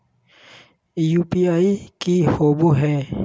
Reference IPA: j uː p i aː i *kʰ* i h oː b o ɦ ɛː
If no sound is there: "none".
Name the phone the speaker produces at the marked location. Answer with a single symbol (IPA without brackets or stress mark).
k